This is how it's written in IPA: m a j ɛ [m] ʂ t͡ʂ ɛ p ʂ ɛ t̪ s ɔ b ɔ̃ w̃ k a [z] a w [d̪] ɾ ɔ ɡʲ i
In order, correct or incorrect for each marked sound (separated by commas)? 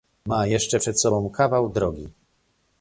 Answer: incorrect, incorrect, correct